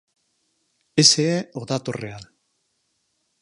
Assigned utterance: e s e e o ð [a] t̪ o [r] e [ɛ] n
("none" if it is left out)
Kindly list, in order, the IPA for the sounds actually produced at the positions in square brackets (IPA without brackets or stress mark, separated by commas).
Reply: a, r, a